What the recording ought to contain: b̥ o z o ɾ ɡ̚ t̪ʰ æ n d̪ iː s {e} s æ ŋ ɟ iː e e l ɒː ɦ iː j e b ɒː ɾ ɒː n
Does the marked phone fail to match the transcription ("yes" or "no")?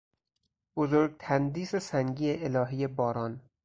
no